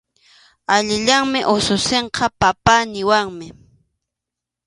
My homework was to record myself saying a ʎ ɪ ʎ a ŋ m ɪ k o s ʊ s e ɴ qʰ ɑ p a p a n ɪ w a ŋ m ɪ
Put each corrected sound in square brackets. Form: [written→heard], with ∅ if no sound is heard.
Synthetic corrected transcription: a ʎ ɪ ʎ a ŋ m ɪ [k→ʔ] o s ʊ s e ɴ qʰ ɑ p a p a n ɪ w a ŋ m ɪ

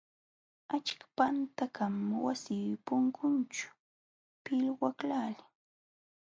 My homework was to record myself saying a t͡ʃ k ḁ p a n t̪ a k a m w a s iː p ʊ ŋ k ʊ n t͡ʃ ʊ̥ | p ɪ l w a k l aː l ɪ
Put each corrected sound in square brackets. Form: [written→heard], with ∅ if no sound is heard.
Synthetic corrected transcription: a t͡ʃ k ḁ p a n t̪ a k a m w a s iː p ʊ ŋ k ʊ n t͡ʃ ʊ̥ | p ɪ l w a k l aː l ɪ

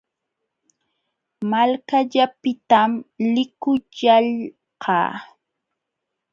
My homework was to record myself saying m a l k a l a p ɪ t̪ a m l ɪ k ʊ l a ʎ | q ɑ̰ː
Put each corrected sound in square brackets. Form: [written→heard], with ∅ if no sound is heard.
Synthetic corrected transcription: m a l k a [l→ʎ] a p ɪ t̪ a m l ɪ k ʊ [l→ʎ] a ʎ | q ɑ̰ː

